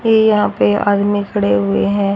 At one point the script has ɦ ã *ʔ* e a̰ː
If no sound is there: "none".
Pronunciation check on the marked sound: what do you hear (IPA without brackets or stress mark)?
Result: p